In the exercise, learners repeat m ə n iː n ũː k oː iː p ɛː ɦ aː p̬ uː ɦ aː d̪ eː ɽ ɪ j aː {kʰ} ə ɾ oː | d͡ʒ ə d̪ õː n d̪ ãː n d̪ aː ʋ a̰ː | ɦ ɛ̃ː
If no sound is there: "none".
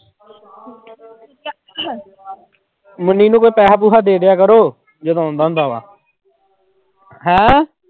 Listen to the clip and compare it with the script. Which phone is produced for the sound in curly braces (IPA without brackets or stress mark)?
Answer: k